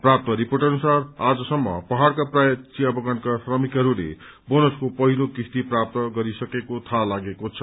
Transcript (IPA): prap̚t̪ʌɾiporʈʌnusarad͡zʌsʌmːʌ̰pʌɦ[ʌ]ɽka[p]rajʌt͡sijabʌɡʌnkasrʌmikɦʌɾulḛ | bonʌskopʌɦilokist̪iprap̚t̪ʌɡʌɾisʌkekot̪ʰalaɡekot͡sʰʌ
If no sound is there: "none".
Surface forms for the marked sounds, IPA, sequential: a, p

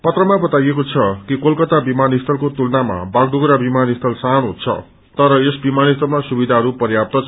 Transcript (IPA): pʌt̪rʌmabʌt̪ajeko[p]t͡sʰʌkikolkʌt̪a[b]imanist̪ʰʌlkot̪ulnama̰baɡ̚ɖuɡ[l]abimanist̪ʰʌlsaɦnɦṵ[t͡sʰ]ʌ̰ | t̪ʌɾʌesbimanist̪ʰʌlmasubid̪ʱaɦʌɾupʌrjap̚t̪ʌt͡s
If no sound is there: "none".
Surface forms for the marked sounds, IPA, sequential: none, b, ɾ, t͡sʰ

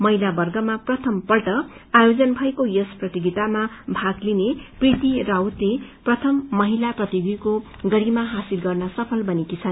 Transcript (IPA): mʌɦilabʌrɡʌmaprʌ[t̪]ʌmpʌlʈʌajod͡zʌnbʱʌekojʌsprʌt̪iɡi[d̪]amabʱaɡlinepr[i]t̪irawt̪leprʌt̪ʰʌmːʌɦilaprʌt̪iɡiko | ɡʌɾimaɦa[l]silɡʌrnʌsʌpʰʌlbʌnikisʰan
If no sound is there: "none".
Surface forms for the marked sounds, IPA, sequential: t̪ʰ, t̪, i, none

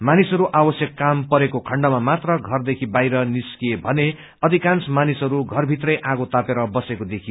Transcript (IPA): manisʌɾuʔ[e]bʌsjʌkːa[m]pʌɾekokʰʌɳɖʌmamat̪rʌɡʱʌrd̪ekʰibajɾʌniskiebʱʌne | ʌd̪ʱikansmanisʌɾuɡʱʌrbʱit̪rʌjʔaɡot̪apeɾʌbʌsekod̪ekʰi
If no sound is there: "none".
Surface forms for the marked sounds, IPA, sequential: a, m

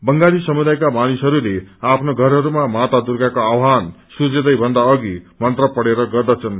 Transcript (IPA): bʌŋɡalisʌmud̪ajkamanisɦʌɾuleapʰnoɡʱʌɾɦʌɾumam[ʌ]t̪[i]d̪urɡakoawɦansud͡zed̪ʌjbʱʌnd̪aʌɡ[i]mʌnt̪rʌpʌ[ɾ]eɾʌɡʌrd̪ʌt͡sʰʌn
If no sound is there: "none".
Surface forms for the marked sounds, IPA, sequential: a, a, i, ɽ

